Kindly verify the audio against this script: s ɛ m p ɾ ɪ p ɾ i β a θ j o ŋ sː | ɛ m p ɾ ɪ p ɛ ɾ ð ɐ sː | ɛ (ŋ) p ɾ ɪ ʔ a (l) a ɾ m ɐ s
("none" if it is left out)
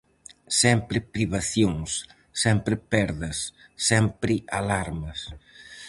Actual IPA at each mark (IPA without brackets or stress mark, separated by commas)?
m, l